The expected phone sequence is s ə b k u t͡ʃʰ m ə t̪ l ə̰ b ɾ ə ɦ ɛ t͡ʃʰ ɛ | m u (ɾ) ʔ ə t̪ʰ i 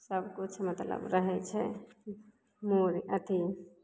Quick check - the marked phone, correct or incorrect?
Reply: correct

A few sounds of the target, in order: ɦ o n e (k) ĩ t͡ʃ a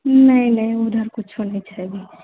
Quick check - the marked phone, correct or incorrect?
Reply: incorrect: none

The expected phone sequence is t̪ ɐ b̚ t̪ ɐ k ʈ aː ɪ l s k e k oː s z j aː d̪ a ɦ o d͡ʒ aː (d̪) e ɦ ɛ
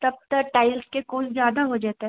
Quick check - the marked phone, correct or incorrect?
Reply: incorrect: t̪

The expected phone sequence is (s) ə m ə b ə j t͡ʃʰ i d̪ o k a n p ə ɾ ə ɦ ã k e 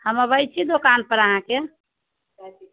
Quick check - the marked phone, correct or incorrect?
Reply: incorrect: h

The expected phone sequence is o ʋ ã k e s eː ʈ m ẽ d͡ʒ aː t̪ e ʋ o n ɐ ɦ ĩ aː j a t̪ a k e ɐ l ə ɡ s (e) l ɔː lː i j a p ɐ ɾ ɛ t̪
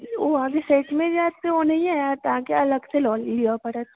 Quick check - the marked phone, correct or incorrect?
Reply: correct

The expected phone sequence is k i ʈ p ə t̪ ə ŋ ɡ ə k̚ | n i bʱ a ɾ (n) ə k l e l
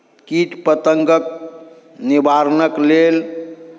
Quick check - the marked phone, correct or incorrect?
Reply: correct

